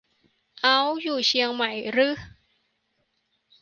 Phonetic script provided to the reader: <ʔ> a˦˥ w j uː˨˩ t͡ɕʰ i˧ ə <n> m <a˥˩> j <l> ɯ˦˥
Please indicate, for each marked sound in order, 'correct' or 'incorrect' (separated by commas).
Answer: correct, incorrect, incorrect, incorrect